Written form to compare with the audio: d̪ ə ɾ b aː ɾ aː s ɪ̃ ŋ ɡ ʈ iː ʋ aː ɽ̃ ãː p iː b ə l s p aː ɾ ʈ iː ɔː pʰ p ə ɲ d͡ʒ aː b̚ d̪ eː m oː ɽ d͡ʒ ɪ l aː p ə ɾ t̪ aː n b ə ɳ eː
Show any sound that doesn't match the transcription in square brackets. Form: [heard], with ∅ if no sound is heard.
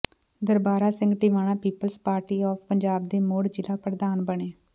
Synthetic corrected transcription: d̪ ə ɾ b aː ɾ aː s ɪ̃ ŋ ɡ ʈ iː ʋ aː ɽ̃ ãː p iː [p] ə l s p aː ɾ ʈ iː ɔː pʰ p ə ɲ d͡ʒ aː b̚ d̪ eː m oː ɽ d͡ʒ ɪ l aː p ə ɾ [d̪] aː n b ə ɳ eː